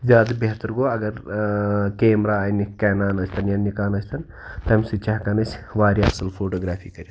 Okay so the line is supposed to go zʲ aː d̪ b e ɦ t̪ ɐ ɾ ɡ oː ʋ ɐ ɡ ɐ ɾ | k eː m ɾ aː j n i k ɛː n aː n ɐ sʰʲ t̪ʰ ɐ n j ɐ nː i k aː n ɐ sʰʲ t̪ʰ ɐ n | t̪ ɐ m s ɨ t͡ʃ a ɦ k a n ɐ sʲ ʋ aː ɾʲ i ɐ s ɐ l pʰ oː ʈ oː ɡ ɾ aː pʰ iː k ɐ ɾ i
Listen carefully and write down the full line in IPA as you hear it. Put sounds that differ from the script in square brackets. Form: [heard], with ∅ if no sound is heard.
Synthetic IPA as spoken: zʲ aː d̪ b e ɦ t̪ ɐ ɾ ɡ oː [∅] ɐ ɡ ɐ ɾ | k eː m ɾ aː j n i k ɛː n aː n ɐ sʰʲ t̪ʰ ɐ n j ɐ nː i k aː n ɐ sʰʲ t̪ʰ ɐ n | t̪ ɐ m s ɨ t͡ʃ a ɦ k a n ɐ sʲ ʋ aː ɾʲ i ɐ s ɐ l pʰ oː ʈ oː ɡ ɾ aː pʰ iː k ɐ ɾ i